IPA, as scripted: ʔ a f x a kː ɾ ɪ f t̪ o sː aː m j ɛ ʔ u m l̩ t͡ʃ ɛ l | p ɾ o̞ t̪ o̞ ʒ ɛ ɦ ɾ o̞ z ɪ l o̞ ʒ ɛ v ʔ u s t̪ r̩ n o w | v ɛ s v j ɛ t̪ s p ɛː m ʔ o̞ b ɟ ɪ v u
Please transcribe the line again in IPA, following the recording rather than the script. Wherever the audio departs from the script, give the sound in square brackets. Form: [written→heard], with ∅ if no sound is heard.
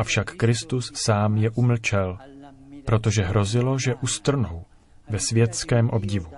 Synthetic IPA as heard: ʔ a f [x→ʃ] a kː ɾ ɪ [f→s] t̪ [o→u] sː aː m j ɛ ʔ u m l̩ t͡ʃ ɛ l | p ɾ o̞ t̪ o̞ ʒ ɛ ɦ ɾ o̞ z ɪ l o̞ ʒ ɛ [v→∅] ʔ u s t̪ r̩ n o w | v ɛ s v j ɛ t̪ s [p→k] ɛː m ʔ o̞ b ɟ ɪ v u